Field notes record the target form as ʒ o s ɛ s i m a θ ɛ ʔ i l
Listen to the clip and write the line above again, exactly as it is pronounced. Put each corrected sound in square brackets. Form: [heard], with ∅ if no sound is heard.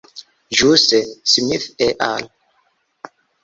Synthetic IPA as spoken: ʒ [u] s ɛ s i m [i] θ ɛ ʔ [a] l